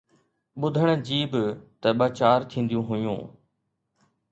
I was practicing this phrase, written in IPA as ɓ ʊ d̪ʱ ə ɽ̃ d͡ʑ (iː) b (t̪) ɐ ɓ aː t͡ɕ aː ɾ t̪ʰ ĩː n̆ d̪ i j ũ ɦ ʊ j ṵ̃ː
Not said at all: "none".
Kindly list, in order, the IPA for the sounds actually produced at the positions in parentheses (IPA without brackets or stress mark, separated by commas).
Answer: iː, t̪